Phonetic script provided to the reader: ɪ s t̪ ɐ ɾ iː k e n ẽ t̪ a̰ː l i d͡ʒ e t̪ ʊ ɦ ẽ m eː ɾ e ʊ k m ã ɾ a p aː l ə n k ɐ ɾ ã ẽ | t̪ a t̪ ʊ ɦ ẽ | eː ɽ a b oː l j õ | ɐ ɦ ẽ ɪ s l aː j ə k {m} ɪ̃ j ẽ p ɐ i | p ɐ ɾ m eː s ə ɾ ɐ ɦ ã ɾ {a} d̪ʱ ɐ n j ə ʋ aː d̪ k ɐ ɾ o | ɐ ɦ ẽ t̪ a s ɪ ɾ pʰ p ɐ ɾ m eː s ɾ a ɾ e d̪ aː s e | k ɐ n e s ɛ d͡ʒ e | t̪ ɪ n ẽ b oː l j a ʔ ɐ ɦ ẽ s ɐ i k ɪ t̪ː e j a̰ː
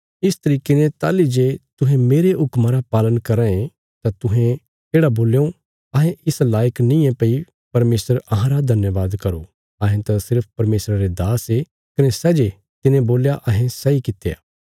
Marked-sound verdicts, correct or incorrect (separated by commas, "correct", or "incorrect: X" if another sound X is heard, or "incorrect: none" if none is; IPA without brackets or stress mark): incorrect: n, correct